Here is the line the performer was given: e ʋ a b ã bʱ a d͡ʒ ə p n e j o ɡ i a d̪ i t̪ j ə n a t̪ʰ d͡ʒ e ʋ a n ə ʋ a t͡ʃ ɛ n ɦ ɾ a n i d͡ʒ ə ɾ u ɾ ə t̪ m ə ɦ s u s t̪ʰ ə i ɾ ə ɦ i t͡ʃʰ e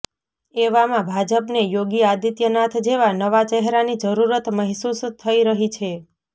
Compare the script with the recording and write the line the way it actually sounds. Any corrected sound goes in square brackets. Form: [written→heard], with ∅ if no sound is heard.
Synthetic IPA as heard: e ʋ a [b→m] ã bʱ a d͡ʒ ə p n e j o ɡ i a d̪ i t̪ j ə n a t̪ʰ d͡ʒ e ʋ a n ə ʋ a t͡ʃ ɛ [n→∅] ɦ ɾ a n i d͡ʒ ə ɾ u ɾ ə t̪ m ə ɦ s u s t̪ʰ ə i ɾ ə ɦ i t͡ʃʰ e